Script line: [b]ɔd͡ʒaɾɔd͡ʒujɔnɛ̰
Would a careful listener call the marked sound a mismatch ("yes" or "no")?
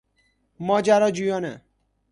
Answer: yes